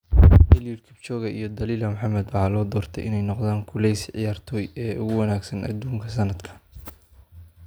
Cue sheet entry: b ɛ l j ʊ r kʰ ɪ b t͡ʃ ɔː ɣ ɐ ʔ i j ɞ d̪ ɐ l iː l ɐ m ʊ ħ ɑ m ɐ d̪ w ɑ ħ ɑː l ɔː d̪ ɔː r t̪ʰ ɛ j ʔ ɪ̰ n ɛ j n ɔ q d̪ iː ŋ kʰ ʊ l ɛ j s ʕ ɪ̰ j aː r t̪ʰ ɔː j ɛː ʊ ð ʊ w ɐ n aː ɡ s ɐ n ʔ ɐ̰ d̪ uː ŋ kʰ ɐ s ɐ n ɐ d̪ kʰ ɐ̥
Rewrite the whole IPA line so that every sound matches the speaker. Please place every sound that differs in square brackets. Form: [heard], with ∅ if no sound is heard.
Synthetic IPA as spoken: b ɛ l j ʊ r kʰ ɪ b t͡ʃ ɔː ɣ ɐ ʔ i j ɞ d̪ ɐ l iː l ɐ m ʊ ħ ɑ m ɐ d̪ w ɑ ħ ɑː l ɔː d̪ ɔː r t̪ʰ ɛ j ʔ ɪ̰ n ɛ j n ɔ q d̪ [aː] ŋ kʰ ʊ l ɛ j s ʕ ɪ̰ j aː r t̪ʰ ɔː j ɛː ʊ [ɣ] ʊ w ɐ n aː ɡ s ɐ n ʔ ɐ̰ d̪ uː ŋ kʰ ɐ s ɐ n ɐ d̪ kʰ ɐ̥